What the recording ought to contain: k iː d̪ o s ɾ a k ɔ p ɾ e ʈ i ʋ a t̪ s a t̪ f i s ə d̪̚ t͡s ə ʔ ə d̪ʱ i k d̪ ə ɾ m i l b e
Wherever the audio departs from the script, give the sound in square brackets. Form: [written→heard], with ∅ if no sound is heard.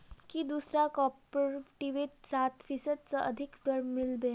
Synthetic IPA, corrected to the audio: k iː d̪ [o→u] s ɾ a k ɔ p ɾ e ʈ i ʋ [a→e] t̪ s a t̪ f i s ə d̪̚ t͡s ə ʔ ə d̪ʱ i k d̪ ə ɾ m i l b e